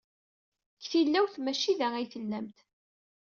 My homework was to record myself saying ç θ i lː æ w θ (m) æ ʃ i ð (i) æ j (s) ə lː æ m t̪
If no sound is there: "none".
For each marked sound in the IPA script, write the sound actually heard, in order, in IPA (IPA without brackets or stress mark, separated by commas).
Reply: m, æ, θ